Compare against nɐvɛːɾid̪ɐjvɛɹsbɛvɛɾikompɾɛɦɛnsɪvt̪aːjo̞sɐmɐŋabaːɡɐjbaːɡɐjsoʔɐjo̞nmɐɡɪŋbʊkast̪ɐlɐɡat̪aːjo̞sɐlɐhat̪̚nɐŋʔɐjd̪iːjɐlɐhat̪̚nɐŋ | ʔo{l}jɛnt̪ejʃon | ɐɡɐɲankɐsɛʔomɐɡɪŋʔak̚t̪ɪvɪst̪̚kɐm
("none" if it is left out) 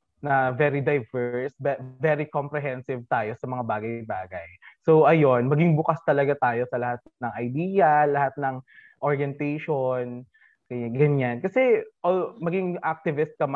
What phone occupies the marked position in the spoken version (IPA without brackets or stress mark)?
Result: ɹ